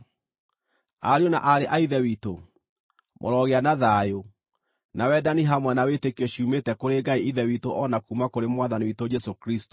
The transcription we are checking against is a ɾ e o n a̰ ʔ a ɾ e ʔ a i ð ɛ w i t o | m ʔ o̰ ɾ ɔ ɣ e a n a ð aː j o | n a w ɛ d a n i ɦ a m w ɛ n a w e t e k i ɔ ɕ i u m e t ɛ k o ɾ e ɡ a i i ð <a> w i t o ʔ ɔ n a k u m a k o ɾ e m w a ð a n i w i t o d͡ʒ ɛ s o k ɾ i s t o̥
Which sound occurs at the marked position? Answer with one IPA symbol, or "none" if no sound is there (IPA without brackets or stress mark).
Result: ɛ